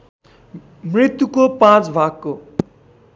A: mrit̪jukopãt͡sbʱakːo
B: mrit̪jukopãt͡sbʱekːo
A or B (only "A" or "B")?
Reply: A